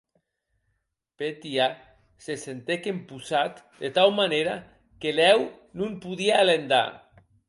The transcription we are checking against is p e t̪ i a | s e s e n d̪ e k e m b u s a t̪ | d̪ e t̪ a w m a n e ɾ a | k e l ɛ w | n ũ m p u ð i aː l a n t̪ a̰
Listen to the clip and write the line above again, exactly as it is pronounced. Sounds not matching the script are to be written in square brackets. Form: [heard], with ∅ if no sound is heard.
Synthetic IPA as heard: p e t̪ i a | s e s e n [t̪] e k e m [p] u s a t̪ | d̪ e t̪ a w m a n e ɾ a | k e l ɛ w | n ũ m p u ð i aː l [e] n [d̪] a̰